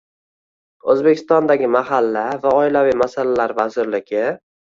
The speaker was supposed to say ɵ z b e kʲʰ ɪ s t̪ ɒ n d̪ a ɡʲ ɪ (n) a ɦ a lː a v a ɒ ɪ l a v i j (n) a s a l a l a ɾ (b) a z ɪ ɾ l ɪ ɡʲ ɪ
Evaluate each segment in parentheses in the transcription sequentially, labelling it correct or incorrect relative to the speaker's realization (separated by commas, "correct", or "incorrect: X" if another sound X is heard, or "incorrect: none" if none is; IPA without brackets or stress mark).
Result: incorrect: m, incorrect: m, incorrect: v